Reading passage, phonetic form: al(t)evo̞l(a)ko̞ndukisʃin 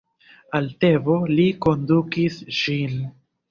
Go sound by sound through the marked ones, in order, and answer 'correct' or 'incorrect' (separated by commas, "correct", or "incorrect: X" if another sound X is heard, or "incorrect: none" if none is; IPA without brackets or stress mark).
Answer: correct, incorrect: i